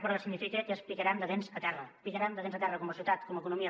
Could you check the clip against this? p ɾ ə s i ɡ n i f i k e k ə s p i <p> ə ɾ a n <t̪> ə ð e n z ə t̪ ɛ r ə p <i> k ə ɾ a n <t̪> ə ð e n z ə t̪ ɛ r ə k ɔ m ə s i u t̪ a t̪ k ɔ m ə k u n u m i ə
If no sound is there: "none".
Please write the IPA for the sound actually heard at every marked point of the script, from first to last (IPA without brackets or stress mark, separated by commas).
k, d̪, i, d̪